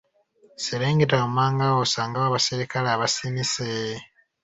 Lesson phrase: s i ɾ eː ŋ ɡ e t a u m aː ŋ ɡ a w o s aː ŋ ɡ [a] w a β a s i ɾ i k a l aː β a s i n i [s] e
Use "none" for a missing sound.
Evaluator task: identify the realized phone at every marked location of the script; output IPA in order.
a, s

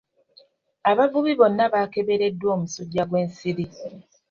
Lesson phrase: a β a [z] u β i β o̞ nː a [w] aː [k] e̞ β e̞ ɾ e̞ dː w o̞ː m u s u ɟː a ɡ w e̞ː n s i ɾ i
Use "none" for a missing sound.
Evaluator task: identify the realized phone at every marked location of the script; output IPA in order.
v, β, k

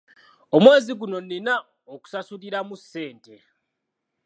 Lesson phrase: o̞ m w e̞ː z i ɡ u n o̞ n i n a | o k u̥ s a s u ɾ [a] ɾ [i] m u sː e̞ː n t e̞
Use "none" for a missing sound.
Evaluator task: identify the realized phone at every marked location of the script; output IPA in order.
i, a

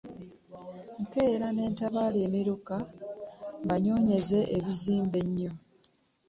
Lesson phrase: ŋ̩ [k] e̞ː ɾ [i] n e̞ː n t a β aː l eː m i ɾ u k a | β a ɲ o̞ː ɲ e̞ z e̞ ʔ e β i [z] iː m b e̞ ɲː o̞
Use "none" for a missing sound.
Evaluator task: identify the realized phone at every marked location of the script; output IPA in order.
k, a, z

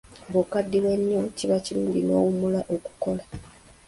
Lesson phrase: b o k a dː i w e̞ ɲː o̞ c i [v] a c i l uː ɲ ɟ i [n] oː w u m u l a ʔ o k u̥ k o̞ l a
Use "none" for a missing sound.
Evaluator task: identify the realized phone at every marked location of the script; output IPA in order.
β, n

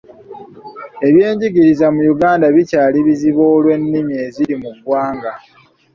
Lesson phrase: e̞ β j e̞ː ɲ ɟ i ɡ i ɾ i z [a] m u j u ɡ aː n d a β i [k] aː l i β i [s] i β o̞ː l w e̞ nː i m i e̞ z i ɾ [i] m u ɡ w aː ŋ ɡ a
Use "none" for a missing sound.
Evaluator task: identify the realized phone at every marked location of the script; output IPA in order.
a, c, z, i

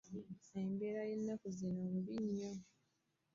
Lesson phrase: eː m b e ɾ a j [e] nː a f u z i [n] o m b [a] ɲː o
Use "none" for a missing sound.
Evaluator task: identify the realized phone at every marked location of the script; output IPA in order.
e, n, i

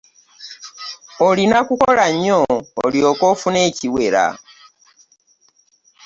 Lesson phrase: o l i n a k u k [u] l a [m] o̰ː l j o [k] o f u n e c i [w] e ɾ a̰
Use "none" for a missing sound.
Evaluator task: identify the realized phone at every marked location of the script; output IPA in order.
o, ɲ, k, w

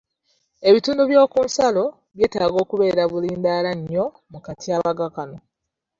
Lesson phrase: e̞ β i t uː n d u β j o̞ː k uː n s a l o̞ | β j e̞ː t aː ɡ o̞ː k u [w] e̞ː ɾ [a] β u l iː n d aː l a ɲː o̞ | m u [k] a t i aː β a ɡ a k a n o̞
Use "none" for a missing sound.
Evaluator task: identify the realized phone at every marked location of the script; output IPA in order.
β, a, k

